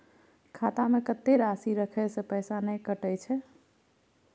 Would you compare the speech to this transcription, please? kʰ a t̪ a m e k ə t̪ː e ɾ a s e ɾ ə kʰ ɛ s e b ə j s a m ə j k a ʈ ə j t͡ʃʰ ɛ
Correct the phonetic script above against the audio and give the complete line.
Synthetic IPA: kʰ a t̪ a m e k ə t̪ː e ɾ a s i ɾ ə kʰ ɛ s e p ə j s a n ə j k ə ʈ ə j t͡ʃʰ ɛ